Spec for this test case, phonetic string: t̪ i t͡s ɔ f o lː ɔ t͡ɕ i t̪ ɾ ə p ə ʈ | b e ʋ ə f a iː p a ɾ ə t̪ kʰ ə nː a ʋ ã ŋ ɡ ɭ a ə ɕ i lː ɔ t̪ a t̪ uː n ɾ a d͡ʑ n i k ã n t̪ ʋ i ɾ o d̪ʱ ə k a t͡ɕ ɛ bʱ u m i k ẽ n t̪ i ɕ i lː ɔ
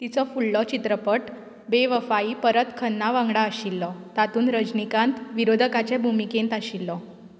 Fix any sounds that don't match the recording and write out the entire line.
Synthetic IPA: t̪ i t͡s ɔ f u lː ɔ t͡ɕ i t̪ ɾ ə p ə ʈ | b e ʋ ə f a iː p ə ɾ ə t̪ kʰ ə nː a ʋ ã ŋ ɡ ɽ a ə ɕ i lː ɔ t̪ a t̪ uː n ɾ ə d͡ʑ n i k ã n t̪ ʋ i ɾ o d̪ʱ ə k a t͡ɕ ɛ bʱ u m i k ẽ n t̪ a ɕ i lː ɔ

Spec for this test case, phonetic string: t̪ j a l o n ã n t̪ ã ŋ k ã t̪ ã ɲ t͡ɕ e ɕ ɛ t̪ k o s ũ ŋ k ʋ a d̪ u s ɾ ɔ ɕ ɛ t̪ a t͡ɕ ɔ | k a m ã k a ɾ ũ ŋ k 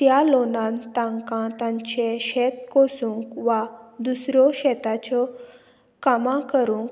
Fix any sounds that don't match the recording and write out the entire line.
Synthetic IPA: t̪ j a l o n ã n t̪ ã ŋ k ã t̪ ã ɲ t͡ɕ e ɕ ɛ t̪ k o s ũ ŋ k ʋ a d̪ u s ɾ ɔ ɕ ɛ t̪ a t͡ɕ ɔ | k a m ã k ə ɾ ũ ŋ k

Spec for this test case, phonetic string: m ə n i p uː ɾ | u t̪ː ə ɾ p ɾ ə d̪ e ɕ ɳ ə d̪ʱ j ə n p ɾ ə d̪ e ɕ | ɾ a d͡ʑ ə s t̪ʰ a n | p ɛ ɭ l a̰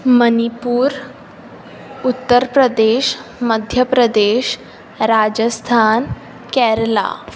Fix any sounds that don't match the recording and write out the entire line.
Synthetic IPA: m ə n i p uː ɾ | u t̪ː ə ɾ p ɾ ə d̪ e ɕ m ə d̪ʱ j ə p ɾ ə d̪ e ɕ | ɾ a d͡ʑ ə s t̪ʰ a n | k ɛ ɾ l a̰

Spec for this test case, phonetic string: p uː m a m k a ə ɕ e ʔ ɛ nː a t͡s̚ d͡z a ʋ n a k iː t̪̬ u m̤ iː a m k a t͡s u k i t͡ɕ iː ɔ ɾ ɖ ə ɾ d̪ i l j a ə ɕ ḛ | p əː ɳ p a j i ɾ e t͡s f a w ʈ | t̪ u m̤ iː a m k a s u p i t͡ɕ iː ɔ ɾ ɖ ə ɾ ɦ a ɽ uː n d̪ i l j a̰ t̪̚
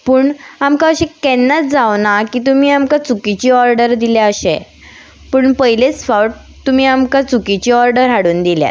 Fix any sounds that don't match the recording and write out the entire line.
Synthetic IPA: p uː ɳ a m k a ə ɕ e k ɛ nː a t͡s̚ d͡z a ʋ n a k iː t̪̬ u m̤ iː a m k a t͡s u k i t͡ɕ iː ɔ ɾ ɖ ə ɾ d̪ i l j a ə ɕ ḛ | p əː ɳ p ə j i l e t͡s f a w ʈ | t̪ u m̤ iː a m k a t͡s u k i t͡ɕ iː ɔ ɾ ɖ ə ɾ ɦ a ɽ uː n d̪ i l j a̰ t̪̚

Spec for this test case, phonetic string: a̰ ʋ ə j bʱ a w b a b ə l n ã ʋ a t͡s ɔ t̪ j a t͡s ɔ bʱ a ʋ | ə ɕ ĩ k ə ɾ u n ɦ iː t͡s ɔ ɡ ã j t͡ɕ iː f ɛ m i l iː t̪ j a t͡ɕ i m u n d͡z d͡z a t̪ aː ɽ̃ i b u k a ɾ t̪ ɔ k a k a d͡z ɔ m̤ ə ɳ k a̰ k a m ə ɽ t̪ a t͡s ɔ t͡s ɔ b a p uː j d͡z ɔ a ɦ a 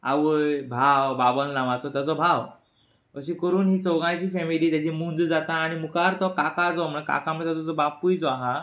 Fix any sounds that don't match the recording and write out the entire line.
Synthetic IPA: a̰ ʋ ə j bʱ a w b a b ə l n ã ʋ a t͡s ɔ t̪ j a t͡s ɔ bʱ a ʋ | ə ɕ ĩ k ə ɾ uː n ɦ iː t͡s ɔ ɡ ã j t͡ɕ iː f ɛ m i l iː t̪ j a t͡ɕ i m u n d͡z d͡z a t̪ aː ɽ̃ i m u k a ɾ t̪ ɔ k a k a d͡z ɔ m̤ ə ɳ k a̰ k a m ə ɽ t̪ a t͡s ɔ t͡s ɔ b a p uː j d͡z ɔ a ɦ a

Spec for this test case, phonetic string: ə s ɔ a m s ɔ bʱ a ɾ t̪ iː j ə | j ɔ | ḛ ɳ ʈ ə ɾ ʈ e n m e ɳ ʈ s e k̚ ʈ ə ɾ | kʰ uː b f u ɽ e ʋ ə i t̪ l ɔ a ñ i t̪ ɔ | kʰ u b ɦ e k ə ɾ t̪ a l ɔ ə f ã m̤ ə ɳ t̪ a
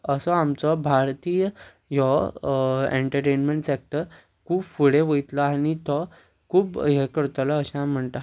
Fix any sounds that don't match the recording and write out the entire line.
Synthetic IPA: ə s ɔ a m t͡s ɔ bʱ a ɾ t̪ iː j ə | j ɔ | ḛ ɳ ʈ ə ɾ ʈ e n m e ɳ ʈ s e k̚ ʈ ə ɾ | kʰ uː b f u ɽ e ʋ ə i t̪ l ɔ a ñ i t̪ ɔ | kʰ uː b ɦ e k ə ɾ t̪ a l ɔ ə ɕ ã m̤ ə ɳ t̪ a

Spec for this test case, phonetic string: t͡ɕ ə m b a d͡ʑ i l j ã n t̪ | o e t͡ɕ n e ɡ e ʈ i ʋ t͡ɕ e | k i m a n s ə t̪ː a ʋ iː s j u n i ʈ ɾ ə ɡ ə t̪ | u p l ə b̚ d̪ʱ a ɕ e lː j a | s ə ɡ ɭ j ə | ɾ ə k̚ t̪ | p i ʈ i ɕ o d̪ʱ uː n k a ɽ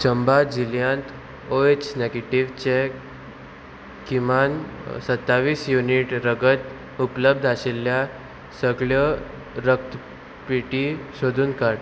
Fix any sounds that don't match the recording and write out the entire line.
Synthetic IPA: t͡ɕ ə m b a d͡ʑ i l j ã n t̪ | o e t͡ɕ n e ɡ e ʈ i ʋ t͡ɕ e | k i m a n s ə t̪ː a ʋ iː s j u n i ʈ ɾ ə ɡ ə t̪ | u p l ə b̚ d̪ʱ a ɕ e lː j a | s ə ɡ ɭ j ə | ɾ ə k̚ t̪ | p i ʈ i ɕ o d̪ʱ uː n k a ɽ

